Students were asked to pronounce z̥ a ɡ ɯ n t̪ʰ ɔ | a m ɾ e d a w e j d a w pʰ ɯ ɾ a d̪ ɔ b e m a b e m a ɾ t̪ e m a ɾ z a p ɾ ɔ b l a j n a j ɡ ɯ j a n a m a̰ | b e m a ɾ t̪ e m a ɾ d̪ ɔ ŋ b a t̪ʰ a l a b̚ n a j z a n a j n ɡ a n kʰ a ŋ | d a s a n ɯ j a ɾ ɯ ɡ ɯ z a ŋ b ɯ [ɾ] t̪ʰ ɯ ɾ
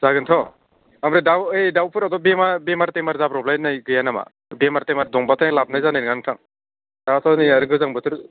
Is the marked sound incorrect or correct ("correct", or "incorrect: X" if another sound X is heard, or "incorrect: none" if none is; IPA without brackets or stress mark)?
incorrect: none